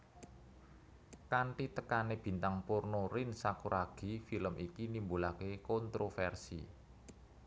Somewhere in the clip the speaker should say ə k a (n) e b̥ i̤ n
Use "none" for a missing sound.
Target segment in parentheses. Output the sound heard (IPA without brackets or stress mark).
n